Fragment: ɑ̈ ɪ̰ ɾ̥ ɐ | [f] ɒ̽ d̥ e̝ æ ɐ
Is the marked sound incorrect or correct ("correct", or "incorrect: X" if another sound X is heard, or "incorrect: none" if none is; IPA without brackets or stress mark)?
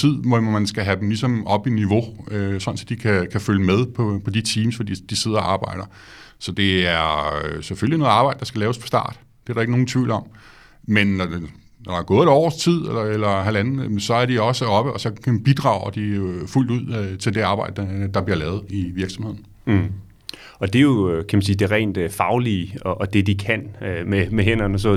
incorrect: s